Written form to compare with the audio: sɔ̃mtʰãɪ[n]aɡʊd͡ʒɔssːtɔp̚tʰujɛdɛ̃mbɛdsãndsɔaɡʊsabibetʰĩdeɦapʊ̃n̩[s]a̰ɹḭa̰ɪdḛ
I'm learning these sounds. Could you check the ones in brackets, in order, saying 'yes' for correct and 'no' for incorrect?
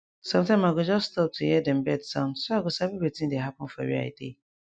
no, no

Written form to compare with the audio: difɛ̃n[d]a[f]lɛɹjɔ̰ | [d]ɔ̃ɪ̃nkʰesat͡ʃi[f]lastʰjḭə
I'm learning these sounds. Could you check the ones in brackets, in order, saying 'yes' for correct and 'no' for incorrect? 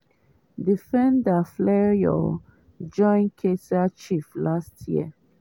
yes, yes, no, yes

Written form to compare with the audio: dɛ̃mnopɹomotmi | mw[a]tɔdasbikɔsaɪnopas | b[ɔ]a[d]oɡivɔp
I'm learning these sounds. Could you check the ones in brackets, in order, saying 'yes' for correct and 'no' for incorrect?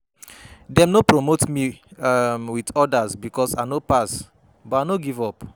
no, yes, no

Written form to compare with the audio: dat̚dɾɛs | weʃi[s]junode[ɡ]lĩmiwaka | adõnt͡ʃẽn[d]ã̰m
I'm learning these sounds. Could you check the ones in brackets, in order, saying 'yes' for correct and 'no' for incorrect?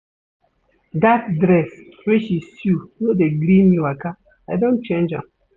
yes, yes, no

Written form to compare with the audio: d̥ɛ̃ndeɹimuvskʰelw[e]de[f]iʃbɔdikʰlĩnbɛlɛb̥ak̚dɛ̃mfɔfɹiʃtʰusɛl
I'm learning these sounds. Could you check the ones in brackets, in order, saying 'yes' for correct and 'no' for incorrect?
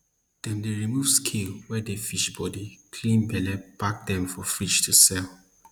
no, yes

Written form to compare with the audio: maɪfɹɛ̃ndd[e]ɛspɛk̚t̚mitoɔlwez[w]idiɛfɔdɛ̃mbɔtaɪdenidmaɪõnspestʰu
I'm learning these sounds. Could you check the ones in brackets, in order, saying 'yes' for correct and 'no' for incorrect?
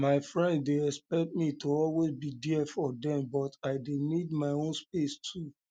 yes, no

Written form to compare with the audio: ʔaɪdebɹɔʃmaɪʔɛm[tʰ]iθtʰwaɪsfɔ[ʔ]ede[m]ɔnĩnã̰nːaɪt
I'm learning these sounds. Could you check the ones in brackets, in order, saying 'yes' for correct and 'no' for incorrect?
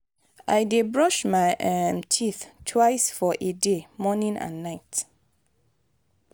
yes, yes, yes

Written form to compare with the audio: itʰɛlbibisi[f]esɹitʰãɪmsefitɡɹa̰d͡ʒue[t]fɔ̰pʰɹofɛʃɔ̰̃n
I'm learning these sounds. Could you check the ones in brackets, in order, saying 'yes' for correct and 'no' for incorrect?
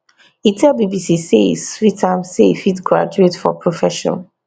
no, yes

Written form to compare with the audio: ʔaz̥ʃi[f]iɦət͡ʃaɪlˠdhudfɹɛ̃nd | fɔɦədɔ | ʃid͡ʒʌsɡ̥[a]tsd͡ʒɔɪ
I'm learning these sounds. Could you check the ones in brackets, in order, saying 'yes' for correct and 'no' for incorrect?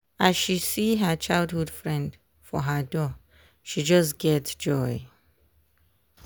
no, no

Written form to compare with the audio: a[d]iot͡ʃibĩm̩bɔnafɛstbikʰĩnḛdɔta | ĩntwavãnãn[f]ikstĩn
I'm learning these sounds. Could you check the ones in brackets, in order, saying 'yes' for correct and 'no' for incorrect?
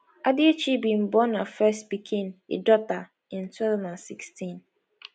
yes, no

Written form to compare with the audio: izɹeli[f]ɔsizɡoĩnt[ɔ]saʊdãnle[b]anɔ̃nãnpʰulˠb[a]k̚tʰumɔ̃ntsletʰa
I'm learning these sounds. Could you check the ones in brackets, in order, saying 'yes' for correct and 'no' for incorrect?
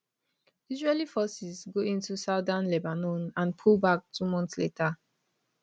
yes, no, yes, yes

